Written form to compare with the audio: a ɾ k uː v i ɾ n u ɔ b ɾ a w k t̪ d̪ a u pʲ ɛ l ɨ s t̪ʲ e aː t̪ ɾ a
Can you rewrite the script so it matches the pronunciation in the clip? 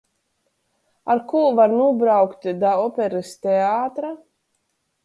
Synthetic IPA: a ɾ k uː v a ɾ n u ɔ b ɾ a w k t̪ d̪ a ɔ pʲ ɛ ɾ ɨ s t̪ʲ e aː t̪ ɾ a